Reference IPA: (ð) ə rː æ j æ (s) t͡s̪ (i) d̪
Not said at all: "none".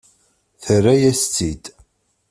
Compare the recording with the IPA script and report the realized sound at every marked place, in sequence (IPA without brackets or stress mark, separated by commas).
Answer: θ, s, i